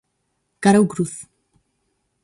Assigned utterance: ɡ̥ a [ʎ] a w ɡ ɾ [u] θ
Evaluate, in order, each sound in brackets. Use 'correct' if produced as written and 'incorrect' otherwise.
incorrect, correct

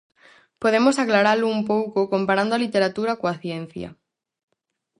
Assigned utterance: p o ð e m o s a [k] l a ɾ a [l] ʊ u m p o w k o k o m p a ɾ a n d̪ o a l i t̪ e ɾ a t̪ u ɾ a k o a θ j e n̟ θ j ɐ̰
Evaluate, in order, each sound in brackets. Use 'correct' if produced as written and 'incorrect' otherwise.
correct, correct

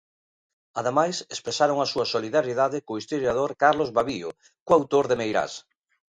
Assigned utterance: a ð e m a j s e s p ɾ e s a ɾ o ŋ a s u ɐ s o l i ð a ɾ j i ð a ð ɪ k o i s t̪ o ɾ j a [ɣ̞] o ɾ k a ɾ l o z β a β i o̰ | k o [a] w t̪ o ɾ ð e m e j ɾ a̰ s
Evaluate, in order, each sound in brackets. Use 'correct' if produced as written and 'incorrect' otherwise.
incorrect, correct

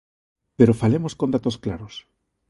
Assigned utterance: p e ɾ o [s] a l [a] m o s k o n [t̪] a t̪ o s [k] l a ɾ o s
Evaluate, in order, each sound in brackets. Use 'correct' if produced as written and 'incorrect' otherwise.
incorrect, incorrect, incorrect, correct

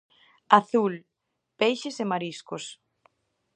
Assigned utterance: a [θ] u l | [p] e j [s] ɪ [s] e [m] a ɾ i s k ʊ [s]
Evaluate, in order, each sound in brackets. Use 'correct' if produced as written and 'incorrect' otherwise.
correct, correct, incorrect, correct, correct, correct

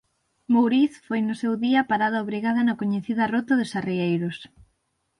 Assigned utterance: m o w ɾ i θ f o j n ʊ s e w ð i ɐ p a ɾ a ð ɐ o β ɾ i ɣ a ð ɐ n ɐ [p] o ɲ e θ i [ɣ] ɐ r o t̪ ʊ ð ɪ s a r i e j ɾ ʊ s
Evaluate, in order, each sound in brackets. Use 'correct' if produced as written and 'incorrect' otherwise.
incorrect, incorrect

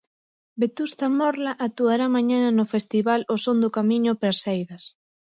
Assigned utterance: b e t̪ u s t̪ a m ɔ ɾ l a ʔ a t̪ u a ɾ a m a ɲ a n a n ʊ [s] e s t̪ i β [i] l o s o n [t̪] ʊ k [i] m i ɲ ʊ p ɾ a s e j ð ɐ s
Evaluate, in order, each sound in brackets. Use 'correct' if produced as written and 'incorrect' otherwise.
incorrect, incorrect, incorrect, incorrect

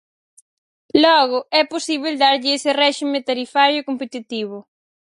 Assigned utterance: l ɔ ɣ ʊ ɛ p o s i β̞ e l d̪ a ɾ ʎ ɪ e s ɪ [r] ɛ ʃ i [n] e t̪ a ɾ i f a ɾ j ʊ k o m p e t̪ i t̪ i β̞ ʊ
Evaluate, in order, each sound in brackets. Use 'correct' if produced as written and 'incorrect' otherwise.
correct, incorrect

